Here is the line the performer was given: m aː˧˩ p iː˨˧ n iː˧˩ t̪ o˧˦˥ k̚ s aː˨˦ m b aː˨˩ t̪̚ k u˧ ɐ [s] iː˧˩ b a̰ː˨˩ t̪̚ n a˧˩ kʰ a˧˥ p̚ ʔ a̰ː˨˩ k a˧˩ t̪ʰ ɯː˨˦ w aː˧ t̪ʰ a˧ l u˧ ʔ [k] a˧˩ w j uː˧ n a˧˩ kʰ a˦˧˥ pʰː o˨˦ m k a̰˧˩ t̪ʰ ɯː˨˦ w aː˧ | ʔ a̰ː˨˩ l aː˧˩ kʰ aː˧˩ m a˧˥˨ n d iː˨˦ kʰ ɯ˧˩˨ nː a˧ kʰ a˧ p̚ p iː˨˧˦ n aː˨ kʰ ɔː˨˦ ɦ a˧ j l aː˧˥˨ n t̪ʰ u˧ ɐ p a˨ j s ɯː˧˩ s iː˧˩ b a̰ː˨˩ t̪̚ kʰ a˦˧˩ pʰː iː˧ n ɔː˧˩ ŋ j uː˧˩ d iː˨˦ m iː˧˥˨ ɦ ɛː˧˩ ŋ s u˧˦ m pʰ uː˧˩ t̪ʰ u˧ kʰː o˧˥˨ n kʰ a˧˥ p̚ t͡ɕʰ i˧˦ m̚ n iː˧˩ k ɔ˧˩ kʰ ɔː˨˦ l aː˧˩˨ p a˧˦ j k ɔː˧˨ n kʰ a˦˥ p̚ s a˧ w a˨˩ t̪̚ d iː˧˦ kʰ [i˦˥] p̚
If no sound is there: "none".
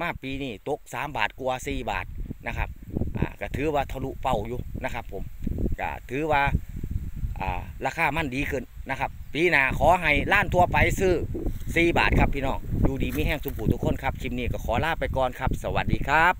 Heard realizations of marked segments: s, p, a˦˥

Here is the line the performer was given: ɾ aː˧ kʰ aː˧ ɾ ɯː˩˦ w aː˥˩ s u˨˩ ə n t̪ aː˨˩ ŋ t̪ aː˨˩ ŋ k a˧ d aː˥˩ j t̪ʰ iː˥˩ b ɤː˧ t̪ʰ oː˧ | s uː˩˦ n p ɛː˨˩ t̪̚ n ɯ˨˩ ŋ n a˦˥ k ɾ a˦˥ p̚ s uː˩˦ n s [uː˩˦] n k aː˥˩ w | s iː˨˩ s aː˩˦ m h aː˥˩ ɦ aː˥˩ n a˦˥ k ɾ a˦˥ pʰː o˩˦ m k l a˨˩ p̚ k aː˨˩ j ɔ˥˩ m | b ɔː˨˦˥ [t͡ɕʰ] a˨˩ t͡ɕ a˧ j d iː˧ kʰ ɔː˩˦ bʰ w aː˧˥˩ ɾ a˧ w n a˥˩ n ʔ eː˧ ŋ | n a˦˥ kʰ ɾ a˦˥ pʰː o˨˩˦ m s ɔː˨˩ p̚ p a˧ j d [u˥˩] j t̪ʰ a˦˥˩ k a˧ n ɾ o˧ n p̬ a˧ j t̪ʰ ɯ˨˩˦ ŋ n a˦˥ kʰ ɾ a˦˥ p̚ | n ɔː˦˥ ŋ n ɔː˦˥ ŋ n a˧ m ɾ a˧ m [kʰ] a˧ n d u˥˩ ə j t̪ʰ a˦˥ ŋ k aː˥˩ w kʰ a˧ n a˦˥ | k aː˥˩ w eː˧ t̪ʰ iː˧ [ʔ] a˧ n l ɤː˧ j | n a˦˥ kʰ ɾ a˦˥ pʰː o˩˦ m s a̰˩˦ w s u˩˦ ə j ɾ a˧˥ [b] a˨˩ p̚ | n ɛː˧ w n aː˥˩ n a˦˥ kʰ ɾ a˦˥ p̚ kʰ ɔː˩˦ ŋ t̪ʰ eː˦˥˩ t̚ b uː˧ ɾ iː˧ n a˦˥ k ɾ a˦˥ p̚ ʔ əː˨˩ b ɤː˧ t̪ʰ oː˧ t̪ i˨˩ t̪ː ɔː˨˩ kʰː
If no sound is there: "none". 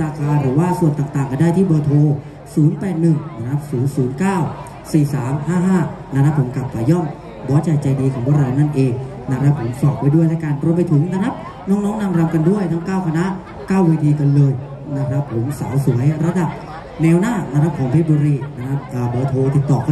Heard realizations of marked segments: uː˩˦, t͡ɕ, u˥˩, k, k, d

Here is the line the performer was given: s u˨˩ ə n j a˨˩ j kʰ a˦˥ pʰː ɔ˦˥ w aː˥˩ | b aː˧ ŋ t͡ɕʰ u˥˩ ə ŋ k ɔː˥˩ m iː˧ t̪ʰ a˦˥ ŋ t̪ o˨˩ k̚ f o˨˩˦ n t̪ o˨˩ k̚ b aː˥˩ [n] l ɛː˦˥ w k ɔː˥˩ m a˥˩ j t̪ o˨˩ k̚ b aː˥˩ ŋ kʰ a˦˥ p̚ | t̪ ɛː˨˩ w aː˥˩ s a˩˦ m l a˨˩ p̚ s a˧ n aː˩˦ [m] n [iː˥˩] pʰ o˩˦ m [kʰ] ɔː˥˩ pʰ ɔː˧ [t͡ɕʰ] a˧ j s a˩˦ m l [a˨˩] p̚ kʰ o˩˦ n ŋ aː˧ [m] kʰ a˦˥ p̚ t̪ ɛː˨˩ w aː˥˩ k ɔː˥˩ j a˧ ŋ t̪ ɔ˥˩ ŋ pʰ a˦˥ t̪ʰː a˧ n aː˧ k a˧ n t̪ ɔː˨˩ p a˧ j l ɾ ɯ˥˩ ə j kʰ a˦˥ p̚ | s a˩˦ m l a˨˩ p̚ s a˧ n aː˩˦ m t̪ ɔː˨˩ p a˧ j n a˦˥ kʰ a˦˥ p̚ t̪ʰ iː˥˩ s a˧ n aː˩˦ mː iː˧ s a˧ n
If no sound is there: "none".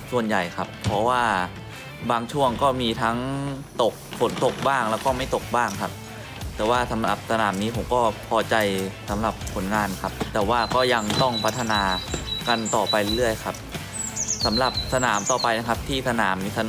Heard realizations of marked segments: ŋ, m, iː˦˥, k, t͡ɕ, a˨˩, n

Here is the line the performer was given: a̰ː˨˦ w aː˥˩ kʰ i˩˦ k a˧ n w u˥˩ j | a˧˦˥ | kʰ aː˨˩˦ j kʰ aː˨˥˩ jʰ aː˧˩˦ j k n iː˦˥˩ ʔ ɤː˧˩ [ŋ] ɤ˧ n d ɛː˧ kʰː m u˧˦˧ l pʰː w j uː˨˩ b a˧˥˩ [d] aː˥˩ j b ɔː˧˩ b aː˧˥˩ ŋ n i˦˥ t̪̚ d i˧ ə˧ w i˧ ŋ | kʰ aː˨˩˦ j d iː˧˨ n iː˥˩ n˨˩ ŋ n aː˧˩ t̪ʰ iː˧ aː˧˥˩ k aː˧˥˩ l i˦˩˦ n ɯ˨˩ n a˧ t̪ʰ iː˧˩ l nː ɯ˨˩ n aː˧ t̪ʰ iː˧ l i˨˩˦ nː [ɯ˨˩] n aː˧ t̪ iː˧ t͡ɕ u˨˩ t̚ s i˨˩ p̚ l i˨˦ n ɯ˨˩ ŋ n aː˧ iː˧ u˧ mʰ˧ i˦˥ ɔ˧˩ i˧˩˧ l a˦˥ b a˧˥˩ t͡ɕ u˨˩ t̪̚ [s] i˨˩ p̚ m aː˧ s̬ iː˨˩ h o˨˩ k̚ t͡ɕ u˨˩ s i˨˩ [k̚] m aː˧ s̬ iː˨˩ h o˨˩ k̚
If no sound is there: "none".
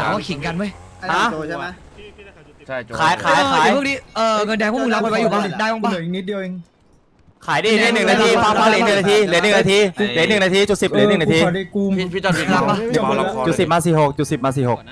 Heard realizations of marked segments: ŋ, d, ɯ˨˩, s, p̚

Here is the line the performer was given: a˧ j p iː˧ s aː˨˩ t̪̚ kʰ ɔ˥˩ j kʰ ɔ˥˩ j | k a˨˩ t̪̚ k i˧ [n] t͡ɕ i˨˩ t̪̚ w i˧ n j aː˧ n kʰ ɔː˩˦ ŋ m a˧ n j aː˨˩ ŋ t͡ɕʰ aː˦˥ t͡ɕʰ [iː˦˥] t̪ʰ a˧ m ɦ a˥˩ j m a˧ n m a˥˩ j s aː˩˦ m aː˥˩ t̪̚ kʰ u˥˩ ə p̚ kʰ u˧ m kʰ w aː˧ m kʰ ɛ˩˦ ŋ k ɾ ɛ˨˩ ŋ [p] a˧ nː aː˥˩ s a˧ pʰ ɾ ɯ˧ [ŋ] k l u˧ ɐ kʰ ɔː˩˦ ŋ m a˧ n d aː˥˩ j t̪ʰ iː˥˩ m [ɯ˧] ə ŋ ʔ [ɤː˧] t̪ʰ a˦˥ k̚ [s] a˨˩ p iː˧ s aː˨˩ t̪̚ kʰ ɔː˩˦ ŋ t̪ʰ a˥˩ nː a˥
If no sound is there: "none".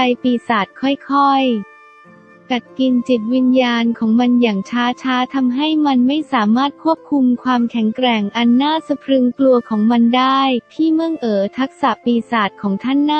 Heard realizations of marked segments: n, aː˦˥, ʔ, ŋ, ɯ˥˩, ɤː˩˦, s

